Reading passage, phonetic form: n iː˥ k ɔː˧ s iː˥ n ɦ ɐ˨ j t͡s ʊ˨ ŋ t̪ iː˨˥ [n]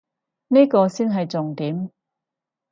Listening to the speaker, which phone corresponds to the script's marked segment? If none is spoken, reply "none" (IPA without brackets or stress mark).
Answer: m